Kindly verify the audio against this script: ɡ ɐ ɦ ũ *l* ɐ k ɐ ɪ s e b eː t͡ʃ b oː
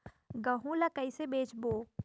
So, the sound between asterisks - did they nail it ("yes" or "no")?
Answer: yes